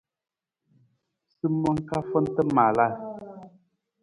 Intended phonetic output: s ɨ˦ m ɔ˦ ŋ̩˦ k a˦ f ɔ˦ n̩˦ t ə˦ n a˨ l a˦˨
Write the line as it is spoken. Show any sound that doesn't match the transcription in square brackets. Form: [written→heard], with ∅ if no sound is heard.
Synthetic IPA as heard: s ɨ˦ m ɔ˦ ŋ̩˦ k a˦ f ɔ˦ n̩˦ t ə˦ [n→m] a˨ l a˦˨